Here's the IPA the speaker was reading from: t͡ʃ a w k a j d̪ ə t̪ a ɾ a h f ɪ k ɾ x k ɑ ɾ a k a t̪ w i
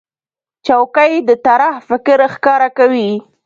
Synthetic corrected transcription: t͡ʃ a w k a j d̪ ə t̪ a ɾ a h f ɪ k ɾ x k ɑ ɾ a k a w i